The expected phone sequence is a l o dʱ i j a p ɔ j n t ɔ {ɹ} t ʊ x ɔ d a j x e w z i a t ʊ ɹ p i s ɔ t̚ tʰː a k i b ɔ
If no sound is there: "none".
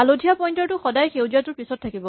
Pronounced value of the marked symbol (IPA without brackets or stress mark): ɹ